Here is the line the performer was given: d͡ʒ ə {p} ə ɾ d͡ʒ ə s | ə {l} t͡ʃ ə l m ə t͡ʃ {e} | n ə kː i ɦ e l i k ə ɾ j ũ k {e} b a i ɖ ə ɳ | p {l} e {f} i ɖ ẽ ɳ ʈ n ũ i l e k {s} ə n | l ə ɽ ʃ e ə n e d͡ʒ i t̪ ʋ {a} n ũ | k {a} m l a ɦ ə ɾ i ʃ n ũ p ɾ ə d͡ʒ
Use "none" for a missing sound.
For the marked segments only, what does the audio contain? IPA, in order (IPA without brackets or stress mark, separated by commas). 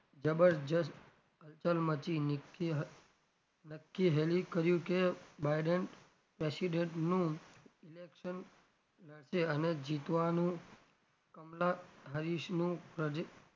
b, l, i, e, ɾ, s, ʃ, a, ə